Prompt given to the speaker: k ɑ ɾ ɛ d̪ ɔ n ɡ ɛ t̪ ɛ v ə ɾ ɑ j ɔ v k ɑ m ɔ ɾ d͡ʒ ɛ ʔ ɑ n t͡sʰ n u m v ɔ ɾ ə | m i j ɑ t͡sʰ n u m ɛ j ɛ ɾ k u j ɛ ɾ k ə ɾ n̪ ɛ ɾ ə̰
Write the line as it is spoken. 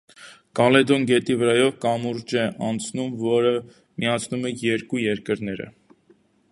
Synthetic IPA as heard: k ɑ l ɛ d̪ ɔ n ɡ ɛ t̪ i v ə ɾ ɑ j ɔ v k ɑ m u ɾ d͡ʒ ɛ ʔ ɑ n t͡sʰ n u m v ɔ ɾ ə | m i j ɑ t͡sʰ n u m ɛ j ɛ ɾ k u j ɛ ɾ k ə ɾ n̪ ɛ ɾ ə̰